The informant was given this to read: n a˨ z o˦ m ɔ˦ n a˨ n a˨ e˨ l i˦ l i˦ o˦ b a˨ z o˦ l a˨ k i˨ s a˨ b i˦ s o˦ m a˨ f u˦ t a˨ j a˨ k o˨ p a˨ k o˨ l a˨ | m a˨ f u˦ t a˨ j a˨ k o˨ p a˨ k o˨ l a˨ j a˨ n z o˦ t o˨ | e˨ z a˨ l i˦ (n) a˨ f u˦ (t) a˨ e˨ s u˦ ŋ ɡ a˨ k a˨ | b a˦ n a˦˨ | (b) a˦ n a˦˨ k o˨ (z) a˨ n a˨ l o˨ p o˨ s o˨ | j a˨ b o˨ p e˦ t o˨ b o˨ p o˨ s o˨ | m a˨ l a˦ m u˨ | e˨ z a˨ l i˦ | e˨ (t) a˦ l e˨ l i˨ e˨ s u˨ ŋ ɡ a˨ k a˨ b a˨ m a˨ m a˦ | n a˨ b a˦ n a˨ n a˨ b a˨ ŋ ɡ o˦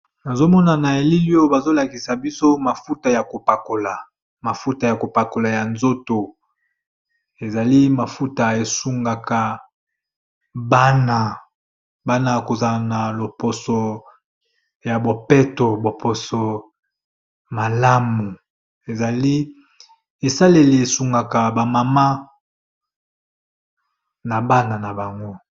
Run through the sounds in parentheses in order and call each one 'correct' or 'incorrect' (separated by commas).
incorrect, correct, correct, correct, incorrect